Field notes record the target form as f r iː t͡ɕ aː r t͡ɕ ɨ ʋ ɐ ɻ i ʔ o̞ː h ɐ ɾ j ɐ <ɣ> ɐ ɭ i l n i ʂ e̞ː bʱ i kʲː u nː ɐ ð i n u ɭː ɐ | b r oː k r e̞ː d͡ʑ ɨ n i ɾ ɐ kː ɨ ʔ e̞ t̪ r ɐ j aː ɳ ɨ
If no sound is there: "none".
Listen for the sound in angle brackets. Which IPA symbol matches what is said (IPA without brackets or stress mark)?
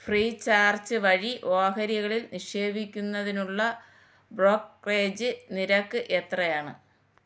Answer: ɣ